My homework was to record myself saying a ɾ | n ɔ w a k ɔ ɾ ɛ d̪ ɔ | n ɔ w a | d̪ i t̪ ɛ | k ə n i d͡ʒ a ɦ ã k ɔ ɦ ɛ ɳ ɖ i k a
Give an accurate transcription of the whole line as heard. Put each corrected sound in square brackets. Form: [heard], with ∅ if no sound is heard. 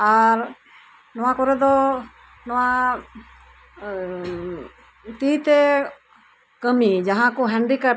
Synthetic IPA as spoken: a ɾ | n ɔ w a k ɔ ɾ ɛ d̪ ɔ | n ɔ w a | [t̪] i t̪ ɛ | k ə [m] i d͡ʒ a ɦ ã k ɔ ɦ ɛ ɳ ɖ i k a

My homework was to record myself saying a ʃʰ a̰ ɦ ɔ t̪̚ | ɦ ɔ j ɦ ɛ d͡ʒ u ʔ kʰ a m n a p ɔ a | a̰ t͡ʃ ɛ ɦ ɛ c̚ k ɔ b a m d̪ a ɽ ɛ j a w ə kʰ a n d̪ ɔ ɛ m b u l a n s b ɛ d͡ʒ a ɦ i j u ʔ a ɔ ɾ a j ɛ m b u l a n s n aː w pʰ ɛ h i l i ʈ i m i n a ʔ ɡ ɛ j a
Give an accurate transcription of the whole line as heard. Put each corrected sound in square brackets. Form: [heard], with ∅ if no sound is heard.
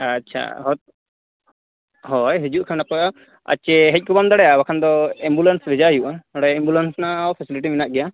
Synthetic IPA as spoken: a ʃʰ a̰ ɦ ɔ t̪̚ | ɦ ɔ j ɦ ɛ d͡ʒ u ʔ kʰ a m n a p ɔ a | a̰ t͡ʃ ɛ ɦ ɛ c̚ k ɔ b a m d̪ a ɽ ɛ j a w [a] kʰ a n d̪ ɔ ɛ m b u l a n s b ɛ d͡ʒ a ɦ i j u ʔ a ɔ [ɽ] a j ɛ m b u l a n s n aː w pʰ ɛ [s] i l i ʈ i m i n a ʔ ɡ ɛ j a

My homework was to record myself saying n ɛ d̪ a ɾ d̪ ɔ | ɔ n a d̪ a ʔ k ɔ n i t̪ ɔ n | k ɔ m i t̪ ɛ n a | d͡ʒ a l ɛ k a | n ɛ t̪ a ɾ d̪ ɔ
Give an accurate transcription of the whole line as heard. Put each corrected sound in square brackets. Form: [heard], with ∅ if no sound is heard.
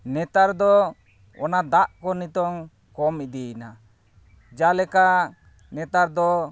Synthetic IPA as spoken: n ɛ [t̪] a ɾ d̪ ɔ | ɔ n a d̪ a ʔ k ɔ n i t̪ ɔ [ŋ] | k ɔ m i [d̪] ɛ n a | d͡ʒ a l ɛ k a | n ɛ t̪ a ɾ d̪ ɔ

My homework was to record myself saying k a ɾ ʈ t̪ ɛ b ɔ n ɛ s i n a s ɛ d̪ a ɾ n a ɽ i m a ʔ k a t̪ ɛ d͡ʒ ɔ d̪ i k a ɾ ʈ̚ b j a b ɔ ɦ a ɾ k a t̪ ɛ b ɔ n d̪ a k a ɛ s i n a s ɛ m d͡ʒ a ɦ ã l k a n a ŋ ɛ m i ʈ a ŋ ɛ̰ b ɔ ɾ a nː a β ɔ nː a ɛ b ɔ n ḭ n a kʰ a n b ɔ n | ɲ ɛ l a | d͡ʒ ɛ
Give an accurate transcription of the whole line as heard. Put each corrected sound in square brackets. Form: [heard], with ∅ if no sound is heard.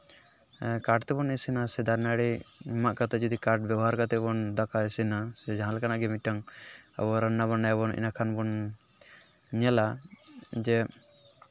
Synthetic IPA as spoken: k a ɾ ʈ t̪ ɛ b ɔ n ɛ s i n a s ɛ d̪ a ɾ n a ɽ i m a ʔ k a t̪ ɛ d͡ʒ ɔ d̪ i k a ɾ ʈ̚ b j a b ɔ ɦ a ɾ k a t̪ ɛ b ɔ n d̪ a k a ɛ s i n a s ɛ [∅] d͡ʒ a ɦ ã l k a n a [ɡ] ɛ m i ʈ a ŋ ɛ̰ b ɔ ɾ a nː a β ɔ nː a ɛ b ɔ n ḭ n a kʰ a n b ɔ n | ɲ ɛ l a | d͡ʒ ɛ

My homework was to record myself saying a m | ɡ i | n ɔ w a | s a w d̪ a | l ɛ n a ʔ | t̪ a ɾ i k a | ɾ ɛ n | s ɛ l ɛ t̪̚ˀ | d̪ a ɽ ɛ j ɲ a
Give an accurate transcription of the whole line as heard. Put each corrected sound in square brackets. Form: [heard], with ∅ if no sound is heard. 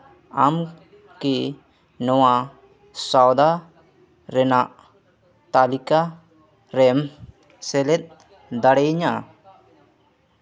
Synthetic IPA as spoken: a m | [k] i | n ɔ w a | s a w d̪ a | [ɾ] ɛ n a ʔ | t̪ a [l] i k a | ɾ ɛ [m] | s ɛ l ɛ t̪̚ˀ | d̪ a ɽ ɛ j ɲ a

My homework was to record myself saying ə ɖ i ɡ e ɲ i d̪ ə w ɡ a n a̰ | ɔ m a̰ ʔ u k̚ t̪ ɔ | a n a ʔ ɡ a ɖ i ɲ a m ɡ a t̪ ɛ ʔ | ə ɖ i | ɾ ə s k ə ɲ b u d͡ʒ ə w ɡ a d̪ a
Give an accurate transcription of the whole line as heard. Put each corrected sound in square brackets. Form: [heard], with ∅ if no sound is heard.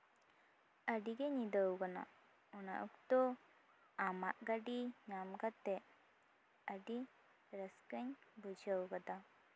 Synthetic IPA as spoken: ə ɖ i ɡ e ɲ i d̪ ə w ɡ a n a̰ | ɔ [n] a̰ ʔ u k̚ t̪ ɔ | a [m] a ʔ ɡ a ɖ i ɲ a m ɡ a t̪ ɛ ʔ | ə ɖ i | ɾ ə s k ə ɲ b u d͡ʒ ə w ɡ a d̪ a

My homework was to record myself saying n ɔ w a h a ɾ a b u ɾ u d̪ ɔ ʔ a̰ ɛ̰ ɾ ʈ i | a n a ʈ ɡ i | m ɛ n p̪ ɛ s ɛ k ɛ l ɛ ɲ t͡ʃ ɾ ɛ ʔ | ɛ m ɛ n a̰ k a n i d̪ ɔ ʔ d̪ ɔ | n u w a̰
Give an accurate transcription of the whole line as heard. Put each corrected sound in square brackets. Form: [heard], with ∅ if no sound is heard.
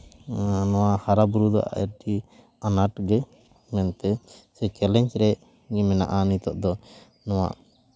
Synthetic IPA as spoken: n ɔ w a h a ɾ a b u ɾ u d̪ ɔ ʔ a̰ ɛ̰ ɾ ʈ i | a n a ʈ ɡ [ɛ] | m ɛ n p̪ ɛ s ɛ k ɛ l ɛ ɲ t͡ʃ ɾ ɛ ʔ | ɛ m ɛ n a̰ [ʔ] a n i [t̪] ɔ ʔ d̪ ɔ | n [ɔ] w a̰

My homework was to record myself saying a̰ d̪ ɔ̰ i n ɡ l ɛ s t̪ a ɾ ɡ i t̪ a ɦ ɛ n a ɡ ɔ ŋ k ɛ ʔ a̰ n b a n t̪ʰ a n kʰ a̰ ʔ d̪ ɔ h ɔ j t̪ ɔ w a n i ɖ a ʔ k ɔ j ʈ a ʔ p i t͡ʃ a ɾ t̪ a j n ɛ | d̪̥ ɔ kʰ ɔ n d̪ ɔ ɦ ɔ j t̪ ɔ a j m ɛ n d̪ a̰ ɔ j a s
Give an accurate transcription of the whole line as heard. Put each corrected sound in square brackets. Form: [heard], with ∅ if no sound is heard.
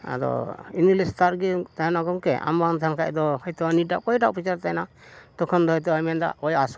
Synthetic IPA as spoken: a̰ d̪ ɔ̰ i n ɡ l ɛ s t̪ a ɾ ɡ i t̪ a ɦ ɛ n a ɡ ɔ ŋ k ɛ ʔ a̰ [m] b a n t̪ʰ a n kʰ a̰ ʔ d̪ ɔ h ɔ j t̪ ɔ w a n i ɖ a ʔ k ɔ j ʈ a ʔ p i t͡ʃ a ɾ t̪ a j n [a] | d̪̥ ɔ kʰ ɔ n d̪ ɔ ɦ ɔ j t̪ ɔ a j m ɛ n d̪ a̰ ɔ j a s

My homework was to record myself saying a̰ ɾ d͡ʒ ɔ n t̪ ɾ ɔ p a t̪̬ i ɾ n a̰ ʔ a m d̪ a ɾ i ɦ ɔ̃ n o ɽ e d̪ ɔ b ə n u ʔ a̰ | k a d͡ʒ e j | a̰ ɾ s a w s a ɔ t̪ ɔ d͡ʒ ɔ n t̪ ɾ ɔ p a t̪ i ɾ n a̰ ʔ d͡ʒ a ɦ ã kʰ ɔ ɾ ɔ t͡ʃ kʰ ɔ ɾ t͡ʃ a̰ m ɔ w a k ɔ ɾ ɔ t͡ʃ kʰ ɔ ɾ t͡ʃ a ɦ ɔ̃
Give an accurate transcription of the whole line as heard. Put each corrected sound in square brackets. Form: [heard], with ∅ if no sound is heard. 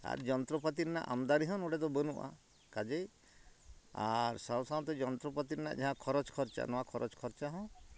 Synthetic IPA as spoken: a̰ ɾ d͡ʒ ɔ n t̪ ɾ ɔ p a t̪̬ i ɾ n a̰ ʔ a m d̪ a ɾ i ɦ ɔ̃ n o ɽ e d̪ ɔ b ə n u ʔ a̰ | k a d͡ʒ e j | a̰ ɾ s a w s a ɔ t̪ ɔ d͡ʒ ɔ n t̪ ɾ ɔ p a t̪ i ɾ n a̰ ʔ d͡ʒ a ɦ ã kʰ ɔ ɾ ɔ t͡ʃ kʰ ɔ ɾ t͡ʃ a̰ [n] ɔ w a [kʰ] ɔ ɾ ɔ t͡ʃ kʰ ɔ ɾ t͡ʃ a ɦ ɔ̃

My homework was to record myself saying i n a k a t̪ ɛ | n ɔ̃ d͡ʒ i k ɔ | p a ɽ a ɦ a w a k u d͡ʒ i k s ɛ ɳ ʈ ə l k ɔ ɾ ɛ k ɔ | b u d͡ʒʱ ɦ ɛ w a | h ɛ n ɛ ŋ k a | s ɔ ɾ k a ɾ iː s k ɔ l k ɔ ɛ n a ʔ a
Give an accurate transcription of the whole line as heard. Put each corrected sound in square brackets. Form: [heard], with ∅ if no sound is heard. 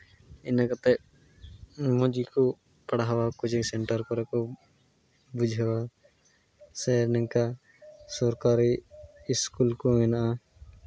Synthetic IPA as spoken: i n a k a t̪ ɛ | [m] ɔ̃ d͡ʒ i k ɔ | p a ɽ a ɦ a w a k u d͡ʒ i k s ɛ ɳ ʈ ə [ɾ] k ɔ ɾ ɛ k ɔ | b u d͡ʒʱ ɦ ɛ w a | [s] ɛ n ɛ ŋ k a | s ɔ ɾ k a ɾ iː s k [u] l k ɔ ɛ n a ʔ a

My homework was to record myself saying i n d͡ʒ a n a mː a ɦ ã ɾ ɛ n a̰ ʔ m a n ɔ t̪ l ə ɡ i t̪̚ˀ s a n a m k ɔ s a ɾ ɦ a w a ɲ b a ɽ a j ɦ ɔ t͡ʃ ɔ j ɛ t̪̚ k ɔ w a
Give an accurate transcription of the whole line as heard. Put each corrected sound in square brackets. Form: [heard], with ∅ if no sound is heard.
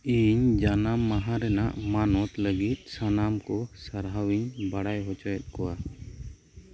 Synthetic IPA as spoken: i [ɲ] d͡ʒ a n a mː a ɦ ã ɾ ɛ n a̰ ʔ m a n ɔ t̪ l ə ɡ i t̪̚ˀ s a n a m k ɔ s a ɾ ɦ a w [i] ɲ b a ɽ a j ɦ ɔ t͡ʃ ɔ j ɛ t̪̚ k ɔ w a

